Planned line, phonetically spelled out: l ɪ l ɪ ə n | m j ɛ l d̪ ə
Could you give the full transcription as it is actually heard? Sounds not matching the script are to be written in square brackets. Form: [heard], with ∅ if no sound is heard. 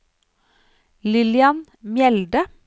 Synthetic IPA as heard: l ɪ l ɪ [ɑ] n | m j ɛ l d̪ ə